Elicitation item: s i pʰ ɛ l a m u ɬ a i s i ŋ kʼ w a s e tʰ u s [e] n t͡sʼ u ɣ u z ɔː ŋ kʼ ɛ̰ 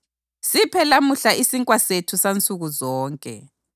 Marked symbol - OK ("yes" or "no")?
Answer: no